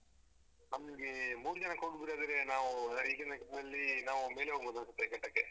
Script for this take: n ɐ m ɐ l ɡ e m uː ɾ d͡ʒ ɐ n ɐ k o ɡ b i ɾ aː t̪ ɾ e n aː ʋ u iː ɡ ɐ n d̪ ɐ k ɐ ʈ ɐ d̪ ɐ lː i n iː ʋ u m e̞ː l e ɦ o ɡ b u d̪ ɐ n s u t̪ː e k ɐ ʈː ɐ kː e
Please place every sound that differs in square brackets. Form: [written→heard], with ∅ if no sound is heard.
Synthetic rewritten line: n ɐ m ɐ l ɡ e m uː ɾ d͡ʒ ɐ n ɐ k o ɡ b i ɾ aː [t̪→d̪] ɾ e n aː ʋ u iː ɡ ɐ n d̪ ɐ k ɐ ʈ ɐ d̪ ɐ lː i n [iː→aː] ʋ u m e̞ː l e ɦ o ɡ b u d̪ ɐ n s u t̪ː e k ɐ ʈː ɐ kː e